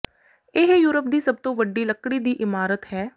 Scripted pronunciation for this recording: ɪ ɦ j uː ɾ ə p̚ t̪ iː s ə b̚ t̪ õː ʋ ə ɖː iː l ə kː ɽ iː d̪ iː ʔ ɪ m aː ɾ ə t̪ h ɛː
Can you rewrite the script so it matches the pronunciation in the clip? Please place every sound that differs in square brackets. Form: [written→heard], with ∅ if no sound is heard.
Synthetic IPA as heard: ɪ ɦ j uː ɾ ə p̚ [t̪→d̪] iː s ə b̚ t̪ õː ʋ ə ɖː iː l ə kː ɽ iː d̪ iː ʔ ɪ m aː ɾ ə t̪ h ɛː